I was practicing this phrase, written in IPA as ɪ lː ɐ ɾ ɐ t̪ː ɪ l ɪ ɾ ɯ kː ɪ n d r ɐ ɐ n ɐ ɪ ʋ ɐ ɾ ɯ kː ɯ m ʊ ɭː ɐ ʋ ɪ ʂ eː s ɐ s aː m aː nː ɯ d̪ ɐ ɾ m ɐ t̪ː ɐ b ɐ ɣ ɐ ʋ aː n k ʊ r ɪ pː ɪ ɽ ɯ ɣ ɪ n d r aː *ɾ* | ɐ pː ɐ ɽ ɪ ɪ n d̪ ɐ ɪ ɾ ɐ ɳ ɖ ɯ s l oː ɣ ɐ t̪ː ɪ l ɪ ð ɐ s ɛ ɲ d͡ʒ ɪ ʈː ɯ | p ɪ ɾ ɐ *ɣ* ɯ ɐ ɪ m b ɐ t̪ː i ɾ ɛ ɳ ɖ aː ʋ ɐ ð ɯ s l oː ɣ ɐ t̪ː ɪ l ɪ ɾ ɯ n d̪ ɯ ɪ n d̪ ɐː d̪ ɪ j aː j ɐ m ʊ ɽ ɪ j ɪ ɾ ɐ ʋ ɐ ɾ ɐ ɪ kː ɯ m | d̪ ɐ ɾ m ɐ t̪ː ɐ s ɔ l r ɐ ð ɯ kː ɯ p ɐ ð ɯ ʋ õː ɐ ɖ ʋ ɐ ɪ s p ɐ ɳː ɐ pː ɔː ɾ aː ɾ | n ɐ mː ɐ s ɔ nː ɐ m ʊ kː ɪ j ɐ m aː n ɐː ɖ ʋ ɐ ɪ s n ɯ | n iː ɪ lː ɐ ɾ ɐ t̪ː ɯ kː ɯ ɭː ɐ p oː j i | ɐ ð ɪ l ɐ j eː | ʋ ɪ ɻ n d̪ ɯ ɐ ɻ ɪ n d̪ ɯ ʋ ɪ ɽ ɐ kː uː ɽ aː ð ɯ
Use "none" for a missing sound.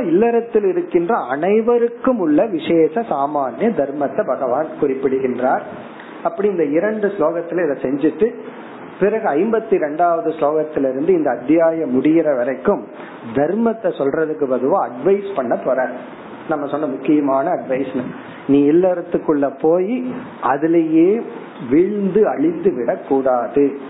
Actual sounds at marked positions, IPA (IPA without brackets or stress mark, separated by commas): ɾ, ɣ